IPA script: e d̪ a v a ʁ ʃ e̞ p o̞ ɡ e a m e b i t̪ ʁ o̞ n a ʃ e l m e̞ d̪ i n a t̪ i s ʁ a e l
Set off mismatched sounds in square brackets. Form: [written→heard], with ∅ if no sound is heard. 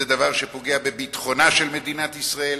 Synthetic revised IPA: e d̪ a v a ʁ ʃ e̞ p o̞ ɡ e a [m→b] e b i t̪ [ʁ→χ] o̞ n a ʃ e l m e̞ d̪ i n a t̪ i s ʁ a e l